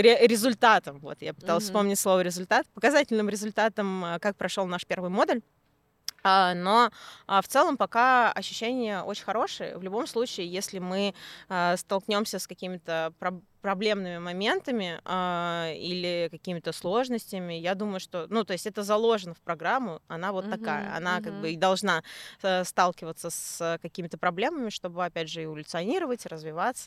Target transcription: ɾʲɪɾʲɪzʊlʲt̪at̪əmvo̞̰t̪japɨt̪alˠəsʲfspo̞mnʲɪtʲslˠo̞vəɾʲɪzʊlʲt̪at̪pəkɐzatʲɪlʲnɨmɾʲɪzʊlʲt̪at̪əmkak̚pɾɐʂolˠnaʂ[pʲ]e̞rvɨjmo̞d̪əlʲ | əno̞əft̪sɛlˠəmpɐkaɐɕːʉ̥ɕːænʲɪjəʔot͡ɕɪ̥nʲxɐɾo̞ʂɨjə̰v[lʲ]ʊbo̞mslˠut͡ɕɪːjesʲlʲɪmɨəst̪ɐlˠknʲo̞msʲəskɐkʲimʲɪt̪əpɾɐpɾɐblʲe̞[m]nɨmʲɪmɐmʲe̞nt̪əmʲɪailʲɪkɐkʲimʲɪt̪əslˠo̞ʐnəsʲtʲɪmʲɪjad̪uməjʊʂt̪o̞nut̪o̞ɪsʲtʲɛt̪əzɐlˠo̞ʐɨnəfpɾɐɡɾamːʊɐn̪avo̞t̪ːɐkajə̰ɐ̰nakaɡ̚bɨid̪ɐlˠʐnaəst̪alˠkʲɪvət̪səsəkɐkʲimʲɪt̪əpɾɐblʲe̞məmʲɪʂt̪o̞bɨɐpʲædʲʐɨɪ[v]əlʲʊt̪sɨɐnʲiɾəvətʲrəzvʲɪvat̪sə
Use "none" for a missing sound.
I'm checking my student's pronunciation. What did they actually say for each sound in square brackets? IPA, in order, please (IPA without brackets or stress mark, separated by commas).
pʲ, lʲ, m, v